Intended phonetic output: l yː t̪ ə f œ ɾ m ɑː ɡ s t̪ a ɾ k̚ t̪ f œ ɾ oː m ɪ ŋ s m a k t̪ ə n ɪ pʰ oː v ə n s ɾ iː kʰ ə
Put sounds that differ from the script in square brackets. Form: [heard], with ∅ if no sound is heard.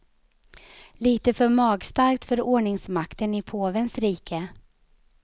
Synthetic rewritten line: l [iː] t̪ ə f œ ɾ m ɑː ɡ s t̪ a ɾ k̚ t̪ f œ ɾ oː [ɳ] ɪ ŋ s m a k t̪ ə n ɪ pʰ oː v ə n s ɾ iː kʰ ə